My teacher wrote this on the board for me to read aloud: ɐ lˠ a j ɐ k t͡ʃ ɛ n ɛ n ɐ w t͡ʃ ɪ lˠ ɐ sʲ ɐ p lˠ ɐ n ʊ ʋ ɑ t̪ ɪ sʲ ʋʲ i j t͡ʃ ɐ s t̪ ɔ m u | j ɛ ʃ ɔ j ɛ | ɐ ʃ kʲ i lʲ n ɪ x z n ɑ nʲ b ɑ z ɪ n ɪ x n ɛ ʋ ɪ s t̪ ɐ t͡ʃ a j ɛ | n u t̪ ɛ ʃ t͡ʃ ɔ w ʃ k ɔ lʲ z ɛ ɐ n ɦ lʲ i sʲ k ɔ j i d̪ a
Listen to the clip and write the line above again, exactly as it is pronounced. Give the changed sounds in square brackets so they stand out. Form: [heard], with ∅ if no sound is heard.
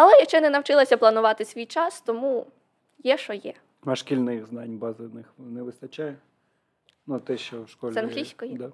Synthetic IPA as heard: ɐ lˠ [ɛ] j ɐ k t͡ʃ ɛ n ɛ n ɐ w t͡ʃ ɪ lˠ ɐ sʲ ɐ p lˠ ɐ n ʊ ʋ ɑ t̪ ɪ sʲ ʋʲ i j t͡ʃ [ɑ] s t̪ ɔ m u | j ɛ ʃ ɔ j ɛ | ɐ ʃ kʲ i lʲ n ɪ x z n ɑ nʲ b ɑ z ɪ n ɪ x n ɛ ʋ ɪ s t̪ ɐ t͡ʃ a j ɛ | n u t̪ ɛ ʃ t͡ʃ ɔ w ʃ k ɔ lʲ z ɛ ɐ n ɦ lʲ i sʲ k ɔ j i d̪ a